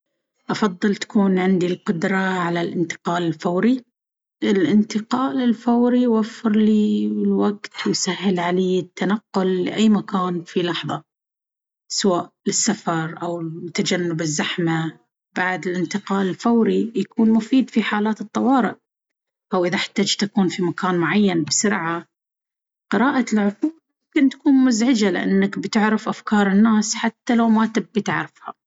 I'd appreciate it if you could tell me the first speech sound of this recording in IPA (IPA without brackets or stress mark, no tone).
ʔ